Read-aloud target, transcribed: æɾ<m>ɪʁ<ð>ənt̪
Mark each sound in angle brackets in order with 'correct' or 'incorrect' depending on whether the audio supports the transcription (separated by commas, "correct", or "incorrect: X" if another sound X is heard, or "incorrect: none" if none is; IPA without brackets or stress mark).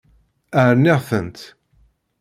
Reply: incorrect: n, incorrect: θ